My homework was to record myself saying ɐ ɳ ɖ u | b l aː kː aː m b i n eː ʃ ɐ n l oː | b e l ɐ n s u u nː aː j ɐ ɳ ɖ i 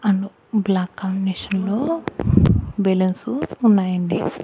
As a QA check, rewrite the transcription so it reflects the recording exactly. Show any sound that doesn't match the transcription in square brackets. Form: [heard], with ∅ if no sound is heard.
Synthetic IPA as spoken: ɐ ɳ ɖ u | b l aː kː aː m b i n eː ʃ ɐ n l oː | b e l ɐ n s u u nː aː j ɐ ɳ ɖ i